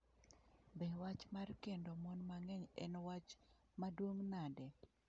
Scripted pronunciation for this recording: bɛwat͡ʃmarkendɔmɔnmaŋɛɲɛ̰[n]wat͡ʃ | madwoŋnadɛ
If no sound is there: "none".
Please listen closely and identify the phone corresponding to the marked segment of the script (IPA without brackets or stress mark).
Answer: n